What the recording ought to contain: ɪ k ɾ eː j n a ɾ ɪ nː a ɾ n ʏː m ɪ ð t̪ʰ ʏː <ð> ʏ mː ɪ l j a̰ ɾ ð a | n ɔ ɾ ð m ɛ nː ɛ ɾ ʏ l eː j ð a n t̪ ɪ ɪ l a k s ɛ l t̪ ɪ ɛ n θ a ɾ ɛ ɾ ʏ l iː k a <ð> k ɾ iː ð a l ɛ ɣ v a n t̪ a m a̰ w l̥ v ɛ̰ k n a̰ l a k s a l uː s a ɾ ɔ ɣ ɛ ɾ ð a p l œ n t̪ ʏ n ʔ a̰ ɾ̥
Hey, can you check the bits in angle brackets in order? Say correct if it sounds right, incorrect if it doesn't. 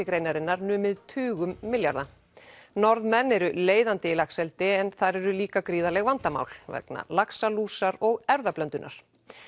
incorrect, incorrect

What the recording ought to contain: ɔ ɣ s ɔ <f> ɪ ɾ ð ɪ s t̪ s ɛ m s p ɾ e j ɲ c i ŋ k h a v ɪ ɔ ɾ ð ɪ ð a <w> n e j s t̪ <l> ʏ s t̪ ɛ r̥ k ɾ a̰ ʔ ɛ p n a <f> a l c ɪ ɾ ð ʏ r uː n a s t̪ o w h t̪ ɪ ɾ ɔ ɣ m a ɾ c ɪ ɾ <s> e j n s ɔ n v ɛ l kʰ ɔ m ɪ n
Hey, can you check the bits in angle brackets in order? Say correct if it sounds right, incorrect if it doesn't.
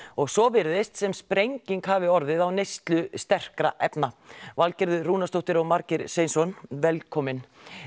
incorrect, correct, correct, incorrect, correct

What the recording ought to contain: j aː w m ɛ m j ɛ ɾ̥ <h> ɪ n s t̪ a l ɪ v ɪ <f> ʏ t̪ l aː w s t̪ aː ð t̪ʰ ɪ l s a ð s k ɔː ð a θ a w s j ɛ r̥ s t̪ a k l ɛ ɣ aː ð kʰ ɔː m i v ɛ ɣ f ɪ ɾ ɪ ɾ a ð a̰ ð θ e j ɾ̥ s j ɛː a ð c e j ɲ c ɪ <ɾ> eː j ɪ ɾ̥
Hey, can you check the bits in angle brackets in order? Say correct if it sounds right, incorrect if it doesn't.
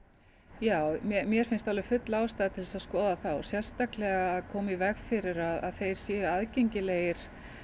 incorrect, correct, incorrect

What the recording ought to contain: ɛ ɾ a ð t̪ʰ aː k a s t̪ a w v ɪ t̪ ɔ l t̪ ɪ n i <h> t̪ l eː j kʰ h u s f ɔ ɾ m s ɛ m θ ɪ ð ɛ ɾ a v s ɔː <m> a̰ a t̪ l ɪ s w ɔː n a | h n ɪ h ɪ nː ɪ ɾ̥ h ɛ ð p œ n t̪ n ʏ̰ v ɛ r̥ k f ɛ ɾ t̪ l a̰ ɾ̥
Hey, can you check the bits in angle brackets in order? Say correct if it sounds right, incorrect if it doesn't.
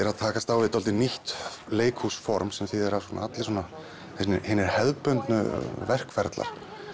correct, incorrect

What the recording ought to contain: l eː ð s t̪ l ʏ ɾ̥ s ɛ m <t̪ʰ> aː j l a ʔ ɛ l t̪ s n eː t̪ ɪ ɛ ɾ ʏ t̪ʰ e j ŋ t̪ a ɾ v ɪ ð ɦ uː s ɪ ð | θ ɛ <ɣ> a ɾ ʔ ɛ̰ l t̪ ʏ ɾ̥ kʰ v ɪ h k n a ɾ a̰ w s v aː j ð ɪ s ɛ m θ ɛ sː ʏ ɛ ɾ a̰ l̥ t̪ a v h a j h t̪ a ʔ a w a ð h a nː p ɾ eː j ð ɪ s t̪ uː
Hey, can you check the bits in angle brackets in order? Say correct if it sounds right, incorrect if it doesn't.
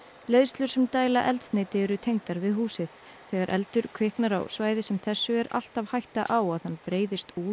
incorrect, correct

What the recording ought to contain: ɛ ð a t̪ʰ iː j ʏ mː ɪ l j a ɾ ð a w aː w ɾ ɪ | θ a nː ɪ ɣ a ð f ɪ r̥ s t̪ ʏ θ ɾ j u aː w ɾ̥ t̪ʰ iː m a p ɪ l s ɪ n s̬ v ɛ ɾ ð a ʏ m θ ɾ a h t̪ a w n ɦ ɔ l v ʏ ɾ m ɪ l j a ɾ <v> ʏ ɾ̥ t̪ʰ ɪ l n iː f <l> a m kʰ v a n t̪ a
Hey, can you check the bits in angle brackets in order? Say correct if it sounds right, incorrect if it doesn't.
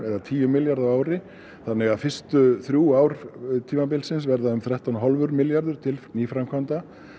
incorrect, incorrect

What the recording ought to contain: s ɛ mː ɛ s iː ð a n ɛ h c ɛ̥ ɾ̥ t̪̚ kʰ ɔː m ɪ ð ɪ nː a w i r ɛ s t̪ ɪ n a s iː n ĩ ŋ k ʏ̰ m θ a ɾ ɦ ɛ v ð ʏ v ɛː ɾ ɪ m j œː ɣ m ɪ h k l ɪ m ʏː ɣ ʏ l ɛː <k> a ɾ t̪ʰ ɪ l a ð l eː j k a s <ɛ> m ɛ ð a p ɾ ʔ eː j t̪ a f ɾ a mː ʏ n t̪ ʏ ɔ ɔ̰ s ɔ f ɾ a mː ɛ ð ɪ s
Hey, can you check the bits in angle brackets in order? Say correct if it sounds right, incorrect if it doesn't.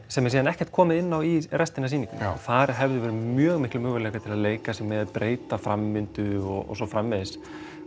correct, correct

